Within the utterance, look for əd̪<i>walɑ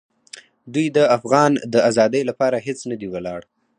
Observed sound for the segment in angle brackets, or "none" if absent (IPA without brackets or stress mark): i